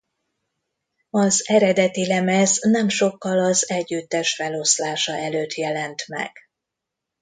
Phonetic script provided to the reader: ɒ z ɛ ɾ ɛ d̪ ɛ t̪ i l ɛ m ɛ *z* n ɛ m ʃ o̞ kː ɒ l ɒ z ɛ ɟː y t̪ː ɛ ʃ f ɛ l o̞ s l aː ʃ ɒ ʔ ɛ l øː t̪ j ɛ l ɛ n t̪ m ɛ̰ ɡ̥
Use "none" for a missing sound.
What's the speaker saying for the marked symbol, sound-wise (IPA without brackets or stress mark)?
z